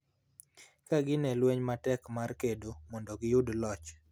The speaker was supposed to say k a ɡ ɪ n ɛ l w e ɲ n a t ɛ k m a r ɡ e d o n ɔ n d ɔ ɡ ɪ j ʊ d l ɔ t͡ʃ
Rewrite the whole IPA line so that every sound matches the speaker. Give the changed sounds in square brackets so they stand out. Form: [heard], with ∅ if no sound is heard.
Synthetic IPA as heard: k a ɡ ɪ n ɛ l w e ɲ [m] a t ɛ k m a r [k] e d o [m] ɔ n d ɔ ɡ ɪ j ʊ d l ɔ t͡ʃ